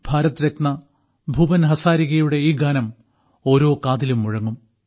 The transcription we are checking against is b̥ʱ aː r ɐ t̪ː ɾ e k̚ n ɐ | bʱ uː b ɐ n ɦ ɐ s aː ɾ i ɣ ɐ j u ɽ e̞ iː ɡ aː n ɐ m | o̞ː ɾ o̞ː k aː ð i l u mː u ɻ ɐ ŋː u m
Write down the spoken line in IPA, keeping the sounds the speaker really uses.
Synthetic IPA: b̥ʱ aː ɾ ɐ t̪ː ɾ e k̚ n ɐ | bʱ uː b ɐ n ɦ ɐ s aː ɾ i ɣ ɐ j u ɽ e̞ iː ɡ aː n ɐ m | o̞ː ɾ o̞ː k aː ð i l u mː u ɻ ɐ ŋː u m